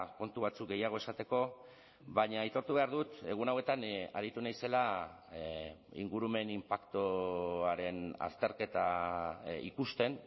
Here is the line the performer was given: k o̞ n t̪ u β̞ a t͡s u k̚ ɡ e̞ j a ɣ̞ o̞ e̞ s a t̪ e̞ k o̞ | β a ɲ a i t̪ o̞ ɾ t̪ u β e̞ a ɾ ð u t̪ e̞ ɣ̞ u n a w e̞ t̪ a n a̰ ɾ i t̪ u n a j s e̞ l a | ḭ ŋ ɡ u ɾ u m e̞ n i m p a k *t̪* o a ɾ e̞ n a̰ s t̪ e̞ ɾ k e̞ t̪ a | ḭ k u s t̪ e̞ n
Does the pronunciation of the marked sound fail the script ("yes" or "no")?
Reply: no